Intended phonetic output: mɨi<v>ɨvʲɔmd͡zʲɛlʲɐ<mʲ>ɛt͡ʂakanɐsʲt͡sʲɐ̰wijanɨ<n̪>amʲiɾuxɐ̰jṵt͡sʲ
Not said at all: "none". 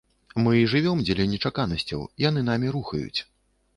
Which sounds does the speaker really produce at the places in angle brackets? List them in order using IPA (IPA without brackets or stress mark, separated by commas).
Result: ʐ, nʲ, n̪